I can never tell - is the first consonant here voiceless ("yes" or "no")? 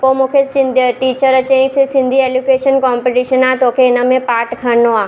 yes